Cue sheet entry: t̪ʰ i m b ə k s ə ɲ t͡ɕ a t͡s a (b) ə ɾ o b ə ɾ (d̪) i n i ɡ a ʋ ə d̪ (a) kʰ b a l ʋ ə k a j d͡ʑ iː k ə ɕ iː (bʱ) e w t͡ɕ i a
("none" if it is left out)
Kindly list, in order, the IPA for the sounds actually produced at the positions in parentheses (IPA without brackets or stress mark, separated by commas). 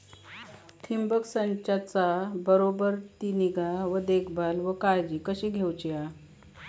b, t̪, e, ɡʱ